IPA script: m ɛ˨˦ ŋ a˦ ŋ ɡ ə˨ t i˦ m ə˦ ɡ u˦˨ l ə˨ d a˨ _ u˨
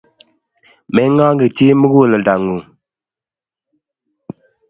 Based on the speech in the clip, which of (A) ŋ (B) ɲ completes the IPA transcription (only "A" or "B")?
A